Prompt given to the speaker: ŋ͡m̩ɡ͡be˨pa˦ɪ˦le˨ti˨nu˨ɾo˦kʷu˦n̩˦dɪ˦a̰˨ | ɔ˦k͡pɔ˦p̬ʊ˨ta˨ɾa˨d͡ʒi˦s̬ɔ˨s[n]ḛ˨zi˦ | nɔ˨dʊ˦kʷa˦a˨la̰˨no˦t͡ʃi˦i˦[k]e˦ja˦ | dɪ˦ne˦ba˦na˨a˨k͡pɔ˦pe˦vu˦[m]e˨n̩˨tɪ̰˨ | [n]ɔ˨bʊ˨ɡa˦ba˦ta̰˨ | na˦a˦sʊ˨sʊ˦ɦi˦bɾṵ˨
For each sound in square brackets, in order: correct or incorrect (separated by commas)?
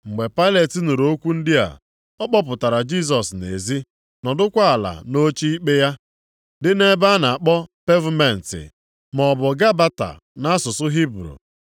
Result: correct, incorrect, correct, incorrect